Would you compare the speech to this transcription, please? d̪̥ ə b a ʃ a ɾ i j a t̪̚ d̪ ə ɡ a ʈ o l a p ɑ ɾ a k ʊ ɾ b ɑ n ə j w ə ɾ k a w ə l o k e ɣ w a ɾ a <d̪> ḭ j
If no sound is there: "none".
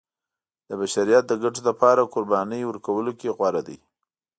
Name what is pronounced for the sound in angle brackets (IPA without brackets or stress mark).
d̪